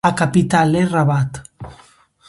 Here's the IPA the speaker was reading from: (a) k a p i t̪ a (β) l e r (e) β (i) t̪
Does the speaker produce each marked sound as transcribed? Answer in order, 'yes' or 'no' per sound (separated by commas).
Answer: yes, no, no, no